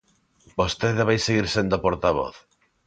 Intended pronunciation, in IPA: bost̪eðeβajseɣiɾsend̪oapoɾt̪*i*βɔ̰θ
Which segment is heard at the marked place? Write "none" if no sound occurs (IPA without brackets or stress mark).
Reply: a